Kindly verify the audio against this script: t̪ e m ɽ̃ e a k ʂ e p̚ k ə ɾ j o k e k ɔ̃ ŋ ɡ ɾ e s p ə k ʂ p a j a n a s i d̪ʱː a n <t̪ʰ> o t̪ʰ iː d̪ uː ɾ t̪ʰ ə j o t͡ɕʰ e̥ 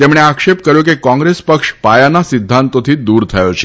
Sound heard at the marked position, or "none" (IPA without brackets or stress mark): t̪